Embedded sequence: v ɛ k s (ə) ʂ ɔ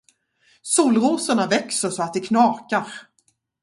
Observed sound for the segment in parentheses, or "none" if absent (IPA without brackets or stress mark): ə